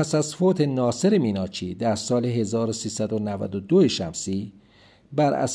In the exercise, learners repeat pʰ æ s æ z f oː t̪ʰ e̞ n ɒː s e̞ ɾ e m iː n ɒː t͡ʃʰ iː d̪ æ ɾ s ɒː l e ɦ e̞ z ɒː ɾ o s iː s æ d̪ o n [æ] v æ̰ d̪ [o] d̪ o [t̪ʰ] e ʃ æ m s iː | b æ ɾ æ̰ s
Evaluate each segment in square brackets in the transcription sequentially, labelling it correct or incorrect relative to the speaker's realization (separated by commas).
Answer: correct, correct, incorrect